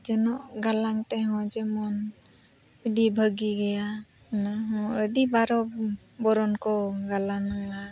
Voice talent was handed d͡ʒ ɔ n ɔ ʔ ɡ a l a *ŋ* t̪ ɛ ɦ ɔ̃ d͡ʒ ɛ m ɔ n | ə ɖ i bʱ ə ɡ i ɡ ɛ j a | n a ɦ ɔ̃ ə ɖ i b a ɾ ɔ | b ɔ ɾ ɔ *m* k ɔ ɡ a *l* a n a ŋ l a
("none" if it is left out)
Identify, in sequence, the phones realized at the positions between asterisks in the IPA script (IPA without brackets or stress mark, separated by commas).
ŋ, n, l